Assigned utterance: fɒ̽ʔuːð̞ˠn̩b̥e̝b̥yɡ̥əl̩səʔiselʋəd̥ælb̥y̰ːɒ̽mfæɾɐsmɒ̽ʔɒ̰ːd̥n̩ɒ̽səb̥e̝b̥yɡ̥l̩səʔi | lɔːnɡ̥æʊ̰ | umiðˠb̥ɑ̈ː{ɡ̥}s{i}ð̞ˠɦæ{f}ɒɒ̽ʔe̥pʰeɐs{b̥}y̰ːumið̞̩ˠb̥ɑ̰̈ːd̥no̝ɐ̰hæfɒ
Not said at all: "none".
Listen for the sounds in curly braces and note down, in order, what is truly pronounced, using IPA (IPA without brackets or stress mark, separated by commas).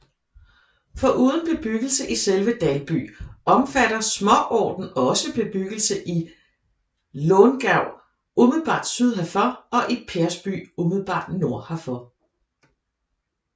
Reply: d̥, y, f, b̥